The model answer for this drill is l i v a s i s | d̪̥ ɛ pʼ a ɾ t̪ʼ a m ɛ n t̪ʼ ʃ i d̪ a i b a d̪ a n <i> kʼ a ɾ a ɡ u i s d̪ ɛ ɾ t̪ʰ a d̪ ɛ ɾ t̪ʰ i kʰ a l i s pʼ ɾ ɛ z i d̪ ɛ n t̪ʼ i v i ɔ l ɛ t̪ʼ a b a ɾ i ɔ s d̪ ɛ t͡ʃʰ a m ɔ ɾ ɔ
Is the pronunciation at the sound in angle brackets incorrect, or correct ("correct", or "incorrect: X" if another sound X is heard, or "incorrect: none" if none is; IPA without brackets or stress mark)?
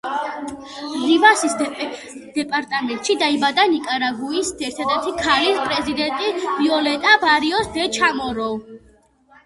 correct